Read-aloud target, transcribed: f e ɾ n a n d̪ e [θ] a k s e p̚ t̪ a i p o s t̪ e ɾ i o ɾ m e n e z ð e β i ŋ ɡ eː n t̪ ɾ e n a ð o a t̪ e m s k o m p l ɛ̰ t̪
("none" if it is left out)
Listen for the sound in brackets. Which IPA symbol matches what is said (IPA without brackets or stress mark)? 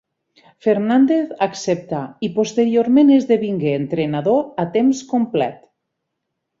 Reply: θ